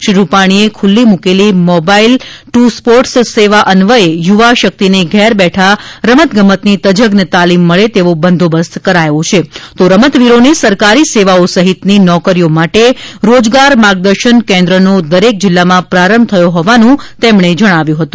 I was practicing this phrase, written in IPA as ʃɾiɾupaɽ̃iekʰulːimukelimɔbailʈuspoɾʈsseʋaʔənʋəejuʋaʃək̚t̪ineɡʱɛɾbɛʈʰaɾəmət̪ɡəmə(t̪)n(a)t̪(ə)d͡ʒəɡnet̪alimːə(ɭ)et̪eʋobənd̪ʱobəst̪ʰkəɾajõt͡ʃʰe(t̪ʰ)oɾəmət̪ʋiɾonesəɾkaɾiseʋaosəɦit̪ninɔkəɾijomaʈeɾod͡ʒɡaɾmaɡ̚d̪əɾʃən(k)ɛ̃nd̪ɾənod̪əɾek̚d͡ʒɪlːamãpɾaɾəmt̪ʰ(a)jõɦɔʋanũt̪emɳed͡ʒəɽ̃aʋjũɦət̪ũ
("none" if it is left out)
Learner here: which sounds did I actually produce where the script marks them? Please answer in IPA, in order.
t̪, i, ə, ɭ, t̪, k, ə

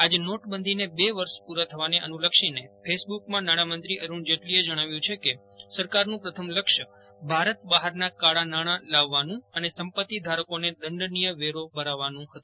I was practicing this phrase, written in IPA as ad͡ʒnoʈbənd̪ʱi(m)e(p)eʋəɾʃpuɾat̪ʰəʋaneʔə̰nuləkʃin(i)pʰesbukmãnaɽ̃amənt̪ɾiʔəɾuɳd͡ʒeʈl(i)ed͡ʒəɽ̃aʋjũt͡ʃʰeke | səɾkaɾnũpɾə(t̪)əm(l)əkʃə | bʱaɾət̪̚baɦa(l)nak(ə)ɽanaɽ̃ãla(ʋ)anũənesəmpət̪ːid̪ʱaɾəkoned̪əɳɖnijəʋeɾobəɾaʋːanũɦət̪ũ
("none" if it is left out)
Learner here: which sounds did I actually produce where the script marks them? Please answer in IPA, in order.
n, b, e, i, t̪ʰ, l, ɾ, a, ʋː

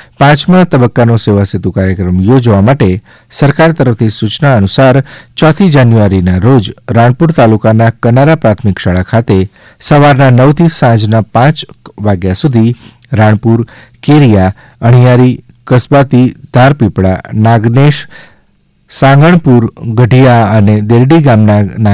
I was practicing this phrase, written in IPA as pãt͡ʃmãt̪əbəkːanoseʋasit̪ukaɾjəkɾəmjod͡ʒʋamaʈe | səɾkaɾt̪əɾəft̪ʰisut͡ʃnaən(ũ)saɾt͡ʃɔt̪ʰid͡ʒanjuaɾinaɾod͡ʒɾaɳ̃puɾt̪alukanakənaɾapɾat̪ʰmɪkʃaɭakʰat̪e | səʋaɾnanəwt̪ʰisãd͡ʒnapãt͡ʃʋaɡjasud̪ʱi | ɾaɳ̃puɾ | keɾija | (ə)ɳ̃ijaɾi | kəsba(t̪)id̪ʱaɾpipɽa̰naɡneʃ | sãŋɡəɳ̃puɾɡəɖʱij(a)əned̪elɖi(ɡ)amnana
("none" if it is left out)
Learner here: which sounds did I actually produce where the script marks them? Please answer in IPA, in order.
u, ə, t̪, a, ɡ

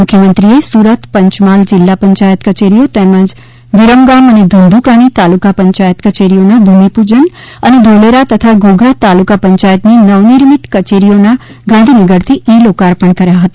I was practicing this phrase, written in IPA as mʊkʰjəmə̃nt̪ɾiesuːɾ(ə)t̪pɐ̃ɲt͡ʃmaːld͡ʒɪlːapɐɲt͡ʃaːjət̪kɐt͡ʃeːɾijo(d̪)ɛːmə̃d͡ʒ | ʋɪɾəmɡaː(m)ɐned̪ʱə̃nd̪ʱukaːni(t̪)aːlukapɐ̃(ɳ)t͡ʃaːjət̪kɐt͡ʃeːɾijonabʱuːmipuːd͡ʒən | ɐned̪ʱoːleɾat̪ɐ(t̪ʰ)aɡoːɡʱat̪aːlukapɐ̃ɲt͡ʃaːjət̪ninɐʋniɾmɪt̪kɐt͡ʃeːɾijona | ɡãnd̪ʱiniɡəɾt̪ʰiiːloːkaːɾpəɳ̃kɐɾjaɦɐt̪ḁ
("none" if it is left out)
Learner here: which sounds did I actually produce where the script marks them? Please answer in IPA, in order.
ə, t̪, m, t̪, ɲ, t̪ʰ

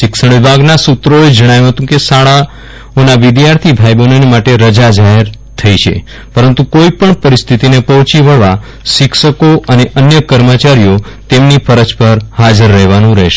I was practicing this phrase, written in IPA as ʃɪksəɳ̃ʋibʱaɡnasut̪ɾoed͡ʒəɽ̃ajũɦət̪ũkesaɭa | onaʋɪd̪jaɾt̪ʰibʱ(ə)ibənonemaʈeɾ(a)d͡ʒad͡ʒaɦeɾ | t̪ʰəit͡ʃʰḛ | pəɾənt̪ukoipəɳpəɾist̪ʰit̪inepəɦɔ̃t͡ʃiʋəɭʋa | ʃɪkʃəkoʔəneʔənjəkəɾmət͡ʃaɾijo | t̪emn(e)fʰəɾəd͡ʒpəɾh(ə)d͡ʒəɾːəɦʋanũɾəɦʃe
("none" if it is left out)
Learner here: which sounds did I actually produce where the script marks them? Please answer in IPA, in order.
a, ə, i, a

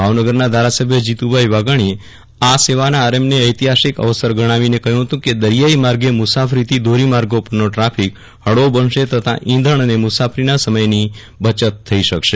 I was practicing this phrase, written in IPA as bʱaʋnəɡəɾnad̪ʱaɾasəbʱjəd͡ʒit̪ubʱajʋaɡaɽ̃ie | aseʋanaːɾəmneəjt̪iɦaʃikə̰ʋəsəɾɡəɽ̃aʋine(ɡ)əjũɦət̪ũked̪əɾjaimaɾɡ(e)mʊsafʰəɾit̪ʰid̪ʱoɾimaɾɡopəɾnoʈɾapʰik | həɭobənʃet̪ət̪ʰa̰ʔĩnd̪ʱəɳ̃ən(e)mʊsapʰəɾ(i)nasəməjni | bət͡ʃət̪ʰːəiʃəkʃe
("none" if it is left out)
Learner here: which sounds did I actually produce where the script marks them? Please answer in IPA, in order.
k, e, e, i

